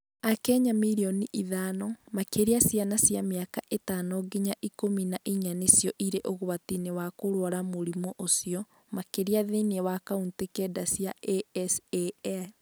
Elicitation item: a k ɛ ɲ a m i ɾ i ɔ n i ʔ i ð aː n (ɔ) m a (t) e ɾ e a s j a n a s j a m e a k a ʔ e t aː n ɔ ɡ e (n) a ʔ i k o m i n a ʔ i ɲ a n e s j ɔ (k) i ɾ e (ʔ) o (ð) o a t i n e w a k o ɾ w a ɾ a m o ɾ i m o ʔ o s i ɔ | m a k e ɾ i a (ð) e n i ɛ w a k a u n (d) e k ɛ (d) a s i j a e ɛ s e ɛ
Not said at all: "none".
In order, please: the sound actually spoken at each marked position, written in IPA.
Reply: ɔ, k, ɲ, ʔ, ʔ, ɣ, ð, t, d

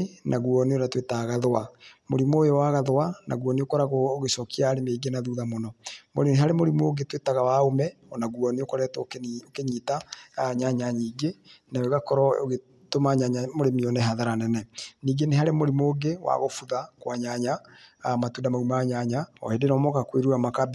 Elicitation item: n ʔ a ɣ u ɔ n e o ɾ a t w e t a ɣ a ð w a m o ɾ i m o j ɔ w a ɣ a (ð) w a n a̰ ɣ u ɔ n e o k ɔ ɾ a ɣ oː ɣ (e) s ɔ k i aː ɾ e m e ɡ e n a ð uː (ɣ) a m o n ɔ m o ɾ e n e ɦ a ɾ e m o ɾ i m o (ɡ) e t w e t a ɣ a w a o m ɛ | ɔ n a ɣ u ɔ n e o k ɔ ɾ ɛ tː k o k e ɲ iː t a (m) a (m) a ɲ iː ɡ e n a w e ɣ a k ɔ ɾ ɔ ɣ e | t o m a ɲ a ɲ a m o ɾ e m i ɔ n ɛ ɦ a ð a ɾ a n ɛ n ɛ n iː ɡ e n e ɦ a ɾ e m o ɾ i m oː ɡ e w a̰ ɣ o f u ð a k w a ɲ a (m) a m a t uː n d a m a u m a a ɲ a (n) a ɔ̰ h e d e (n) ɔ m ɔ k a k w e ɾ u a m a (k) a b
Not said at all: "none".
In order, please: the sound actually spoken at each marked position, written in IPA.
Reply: ð, e, ð, ɡ, ɲ, ɲ, ɲ, ɲ, n, k

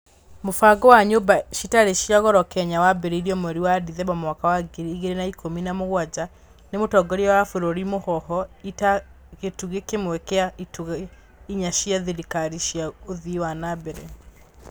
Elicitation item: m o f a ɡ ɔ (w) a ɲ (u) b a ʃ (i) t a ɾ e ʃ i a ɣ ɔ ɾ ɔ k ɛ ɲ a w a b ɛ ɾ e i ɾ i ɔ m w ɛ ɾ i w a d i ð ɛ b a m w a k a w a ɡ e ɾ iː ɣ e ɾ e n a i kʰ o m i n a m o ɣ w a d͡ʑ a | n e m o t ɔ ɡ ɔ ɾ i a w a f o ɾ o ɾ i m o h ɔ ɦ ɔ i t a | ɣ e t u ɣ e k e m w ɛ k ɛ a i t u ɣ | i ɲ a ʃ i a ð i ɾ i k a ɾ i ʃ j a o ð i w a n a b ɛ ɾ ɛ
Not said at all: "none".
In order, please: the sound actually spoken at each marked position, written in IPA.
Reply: w, o, i

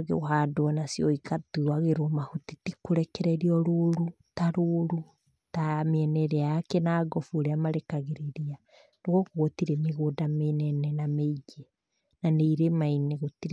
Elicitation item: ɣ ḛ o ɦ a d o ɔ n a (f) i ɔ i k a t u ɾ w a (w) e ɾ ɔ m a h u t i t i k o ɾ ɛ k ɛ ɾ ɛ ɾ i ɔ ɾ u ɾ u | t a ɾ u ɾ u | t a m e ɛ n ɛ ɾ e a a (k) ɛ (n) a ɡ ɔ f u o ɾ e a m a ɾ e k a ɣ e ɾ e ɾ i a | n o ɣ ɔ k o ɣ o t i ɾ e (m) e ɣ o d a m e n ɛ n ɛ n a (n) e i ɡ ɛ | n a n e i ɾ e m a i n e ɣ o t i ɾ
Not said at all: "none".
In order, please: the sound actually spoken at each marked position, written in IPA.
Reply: s, ɣ, k, n, m, m

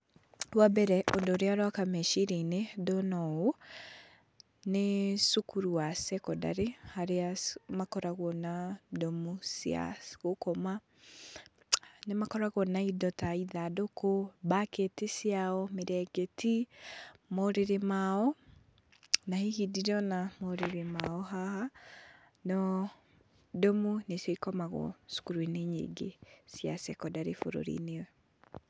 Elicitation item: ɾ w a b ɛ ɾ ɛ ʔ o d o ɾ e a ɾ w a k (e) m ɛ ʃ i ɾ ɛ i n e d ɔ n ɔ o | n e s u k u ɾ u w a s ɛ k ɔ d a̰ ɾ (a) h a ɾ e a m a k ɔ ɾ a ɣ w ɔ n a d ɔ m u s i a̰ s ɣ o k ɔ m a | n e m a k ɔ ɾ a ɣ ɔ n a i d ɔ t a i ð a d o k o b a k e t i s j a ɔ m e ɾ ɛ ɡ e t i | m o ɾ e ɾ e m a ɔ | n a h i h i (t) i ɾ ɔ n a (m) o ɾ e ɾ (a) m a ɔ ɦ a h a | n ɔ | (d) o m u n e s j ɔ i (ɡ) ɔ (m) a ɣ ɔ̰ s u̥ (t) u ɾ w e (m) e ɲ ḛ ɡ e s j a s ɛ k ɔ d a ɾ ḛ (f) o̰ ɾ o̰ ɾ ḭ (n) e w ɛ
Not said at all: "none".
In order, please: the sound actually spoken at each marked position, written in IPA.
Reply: a, e, d, m, e, d, k, m, k, n, f, n

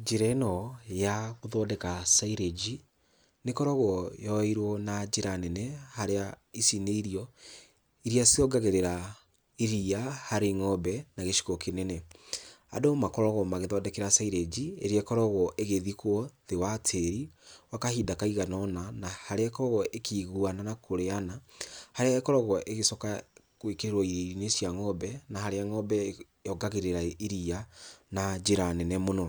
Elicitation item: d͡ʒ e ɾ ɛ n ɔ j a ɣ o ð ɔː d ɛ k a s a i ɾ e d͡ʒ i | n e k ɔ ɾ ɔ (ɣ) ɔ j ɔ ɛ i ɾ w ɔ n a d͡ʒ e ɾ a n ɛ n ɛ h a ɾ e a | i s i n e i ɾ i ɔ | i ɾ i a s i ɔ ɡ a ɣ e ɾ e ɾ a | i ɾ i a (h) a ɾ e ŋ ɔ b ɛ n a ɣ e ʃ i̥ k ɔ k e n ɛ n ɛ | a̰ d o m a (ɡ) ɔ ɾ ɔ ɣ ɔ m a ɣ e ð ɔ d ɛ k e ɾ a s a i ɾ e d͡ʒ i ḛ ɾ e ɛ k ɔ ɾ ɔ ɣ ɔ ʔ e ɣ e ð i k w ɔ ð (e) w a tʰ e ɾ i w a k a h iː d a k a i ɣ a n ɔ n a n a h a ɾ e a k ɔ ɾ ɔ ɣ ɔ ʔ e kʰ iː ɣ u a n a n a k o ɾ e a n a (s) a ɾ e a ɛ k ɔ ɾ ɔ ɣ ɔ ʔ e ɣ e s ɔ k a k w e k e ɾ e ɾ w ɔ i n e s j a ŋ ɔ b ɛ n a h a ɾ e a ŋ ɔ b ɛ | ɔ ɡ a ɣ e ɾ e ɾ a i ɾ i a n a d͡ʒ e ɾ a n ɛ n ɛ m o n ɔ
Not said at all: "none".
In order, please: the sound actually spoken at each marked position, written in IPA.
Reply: ɣ, h, k, e, h

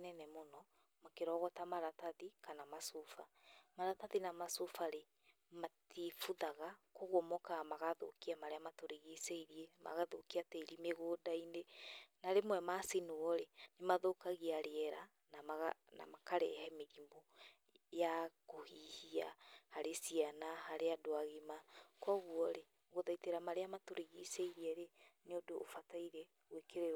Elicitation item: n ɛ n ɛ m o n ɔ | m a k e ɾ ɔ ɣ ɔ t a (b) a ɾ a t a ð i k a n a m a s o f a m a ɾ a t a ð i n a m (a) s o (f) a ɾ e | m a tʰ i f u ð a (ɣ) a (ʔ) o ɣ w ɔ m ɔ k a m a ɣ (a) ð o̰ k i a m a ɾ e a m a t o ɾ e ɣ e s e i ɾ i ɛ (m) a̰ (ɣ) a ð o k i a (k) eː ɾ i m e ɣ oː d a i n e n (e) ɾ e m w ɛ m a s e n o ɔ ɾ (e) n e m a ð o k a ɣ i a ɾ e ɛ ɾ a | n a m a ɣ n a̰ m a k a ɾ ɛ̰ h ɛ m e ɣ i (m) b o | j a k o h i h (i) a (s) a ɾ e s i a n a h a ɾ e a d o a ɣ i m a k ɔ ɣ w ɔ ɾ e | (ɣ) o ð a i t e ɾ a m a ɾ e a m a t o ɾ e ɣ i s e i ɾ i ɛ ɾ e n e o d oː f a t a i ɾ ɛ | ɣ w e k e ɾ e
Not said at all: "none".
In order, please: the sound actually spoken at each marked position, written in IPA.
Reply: m, a, f, ɣ, k, a, m, ɣ, t, a, e, m, i, h, ɣ

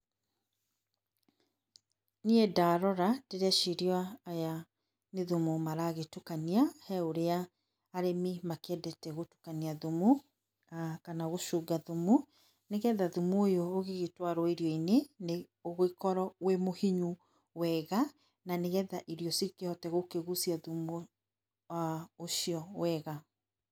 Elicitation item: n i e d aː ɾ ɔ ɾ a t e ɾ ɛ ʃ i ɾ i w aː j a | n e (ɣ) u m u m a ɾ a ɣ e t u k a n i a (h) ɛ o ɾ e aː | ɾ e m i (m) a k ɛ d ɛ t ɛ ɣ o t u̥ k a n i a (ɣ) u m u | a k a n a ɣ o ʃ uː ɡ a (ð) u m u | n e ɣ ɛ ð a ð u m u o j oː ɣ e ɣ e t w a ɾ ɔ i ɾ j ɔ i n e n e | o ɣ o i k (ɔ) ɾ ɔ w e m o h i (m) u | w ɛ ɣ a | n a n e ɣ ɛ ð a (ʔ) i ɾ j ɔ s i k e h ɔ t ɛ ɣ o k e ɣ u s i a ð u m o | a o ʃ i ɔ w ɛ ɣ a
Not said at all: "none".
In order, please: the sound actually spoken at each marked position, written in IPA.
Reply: ð, h, m, ð, ð, ɔ, ɲ, ʔ

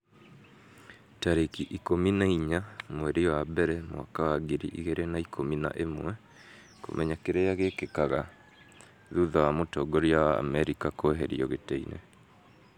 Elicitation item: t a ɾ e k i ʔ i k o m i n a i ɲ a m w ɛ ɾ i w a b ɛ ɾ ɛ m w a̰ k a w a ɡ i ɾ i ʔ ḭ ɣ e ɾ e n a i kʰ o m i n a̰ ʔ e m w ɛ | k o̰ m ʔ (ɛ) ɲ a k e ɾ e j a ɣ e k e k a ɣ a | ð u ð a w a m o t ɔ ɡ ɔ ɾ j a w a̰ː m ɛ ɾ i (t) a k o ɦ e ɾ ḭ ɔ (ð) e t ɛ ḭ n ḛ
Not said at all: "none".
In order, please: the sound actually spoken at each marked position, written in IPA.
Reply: ɛ, k, ɣ

